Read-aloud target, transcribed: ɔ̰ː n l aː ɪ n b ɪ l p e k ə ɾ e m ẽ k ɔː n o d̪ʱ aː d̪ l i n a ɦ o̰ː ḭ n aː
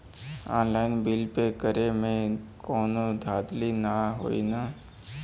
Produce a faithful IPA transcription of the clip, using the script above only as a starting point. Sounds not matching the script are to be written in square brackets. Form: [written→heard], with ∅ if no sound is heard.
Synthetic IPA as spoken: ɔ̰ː n l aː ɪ n b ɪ l p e k ə ɾ e m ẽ k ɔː n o d̪ʱ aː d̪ l i n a ɦ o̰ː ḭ n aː